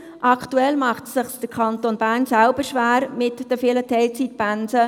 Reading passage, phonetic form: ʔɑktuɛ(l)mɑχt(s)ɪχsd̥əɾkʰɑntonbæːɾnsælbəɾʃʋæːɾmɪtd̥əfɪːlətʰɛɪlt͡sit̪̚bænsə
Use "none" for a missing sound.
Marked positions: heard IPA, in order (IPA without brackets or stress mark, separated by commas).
l, s